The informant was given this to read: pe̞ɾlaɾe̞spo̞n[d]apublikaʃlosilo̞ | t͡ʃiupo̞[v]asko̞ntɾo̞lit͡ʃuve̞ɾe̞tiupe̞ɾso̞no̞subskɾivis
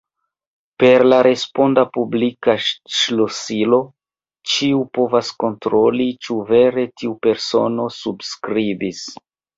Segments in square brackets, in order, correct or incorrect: correct, correct

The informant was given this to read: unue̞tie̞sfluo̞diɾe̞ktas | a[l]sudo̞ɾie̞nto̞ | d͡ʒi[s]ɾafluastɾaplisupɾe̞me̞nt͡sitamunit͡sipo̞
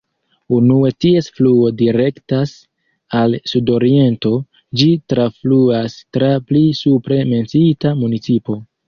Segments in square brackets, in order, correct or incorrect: correct, incorrect: t

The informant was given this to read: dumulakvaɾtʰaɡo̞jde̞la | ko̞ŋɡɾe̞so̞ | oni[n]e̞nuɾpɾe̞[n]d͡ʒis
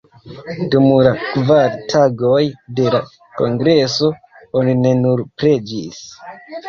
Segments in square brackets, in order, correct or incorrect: correct, incorrect: none

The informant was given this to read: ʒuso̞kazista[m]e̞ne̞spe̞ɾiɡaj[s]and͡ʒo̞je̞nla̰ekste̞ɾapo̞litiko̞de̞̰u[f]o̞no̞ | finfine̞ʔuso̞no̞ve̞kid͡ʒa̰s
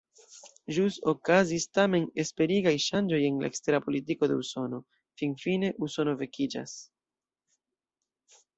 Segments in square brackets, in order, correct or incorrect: correct, incorrect: ʃ, incorrect: s

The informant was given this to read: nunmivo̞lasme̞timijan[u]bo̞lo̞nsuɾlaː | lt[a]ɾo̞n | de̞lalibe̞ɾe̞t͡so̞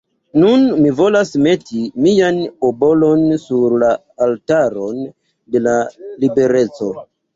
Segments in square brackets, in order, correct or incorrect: incorrect: o, correct

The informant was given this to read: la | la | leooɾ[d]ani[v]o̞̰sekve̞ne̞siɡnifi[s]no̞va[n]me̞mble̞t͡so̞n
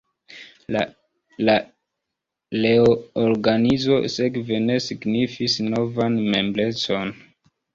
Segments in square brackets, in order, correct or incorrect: incorrect: ɡ, incorrect: z, correct, correct

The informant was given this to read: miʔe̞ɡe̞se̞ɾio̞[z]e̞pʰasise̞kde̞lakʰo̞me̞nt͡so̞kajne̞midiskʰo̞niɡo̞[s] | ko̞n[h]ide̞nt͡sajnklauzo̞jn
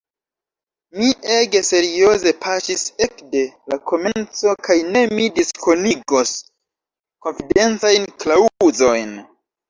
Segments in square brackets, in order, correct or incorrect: correct, correct, incorrect: f

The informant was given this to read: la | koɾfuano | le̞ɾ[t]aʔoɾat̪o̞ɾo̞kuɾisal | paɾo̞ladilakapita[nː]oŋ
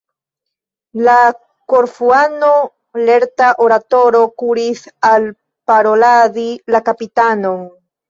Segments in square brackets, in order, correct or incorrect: correct, incorrect: n

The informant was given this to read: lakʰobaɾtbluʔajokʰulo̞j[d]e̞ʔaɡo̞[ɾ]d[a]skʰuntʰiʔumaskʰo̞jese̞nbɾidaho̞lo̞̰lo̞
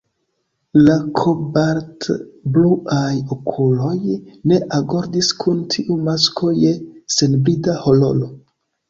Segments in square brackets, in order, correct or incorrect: incorrect: n, correct, incorrect: i

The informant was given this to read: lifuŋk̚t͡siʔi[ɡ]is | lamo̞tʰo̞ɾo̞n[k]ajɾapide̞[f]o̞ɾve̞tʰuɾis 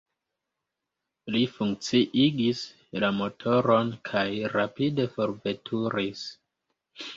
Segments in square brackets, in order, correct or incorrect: correct, incorrect: kʰ, correct

